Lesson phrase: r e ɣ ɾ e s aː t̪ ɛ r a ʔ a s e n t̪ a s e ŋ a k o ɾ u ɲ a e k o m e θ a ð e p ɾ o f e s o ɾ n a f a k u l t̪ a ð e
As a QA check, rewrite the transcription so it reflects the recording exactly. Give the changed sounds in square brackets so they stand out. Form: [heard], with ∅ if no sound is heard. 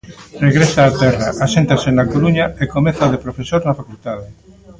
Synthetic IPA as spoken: r e ɣ ɾ e s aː t̪ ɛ r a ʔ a s e n t̪ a s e [n] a k o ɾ u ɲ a e k o m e θ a ð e p ɾ o f e s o ɾ n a f a k u l t̪ a ð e